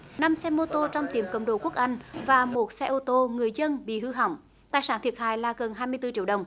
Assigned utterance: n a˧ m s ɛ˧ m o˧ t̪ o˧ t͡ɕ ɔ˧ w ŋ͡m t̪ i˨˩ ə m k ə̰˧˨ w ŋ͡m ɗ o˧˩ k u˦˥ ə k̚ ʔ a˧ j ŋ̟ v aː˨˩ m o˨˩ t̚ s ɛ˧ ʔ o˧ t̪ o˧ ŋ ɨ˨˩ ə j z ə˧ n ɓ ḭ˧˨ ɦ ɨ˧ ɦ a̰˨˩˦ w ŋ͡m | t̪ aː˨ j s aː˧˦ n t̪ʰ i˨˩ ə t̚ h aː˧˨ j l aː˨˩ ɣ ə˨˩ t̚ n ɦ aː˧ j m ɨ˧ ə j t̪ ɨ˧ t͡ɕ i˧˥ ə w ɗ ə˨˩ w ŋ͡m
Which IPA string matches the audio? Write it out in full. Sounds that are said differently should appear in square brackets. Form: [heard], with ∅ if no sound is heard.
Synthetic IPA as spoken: n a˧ m s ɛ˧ m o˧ t̪ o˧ t͡ɕ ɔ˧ w ŋ͡m t̪ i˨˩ ə m k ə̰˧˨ w ŋ͡m ɗ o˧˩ k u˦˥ ə k̚ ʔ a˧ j ŋ̟ v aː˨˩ m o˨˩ t̚ s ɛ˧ ʔ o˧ t̪ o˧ ŋ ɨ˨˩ ə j z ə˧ n ɓ ḭ˧˨ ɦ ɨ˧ ɦ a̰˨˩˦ w ŋ͡m | t̪ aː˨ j s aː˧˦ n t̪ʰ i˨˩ ə t̚ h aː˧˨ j l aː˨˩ ɣ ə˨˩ [∅] n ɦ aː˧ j m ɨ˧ ə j t̪ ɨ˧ t͡ɕ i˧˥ ə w ɗ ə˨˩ w ŋ͡m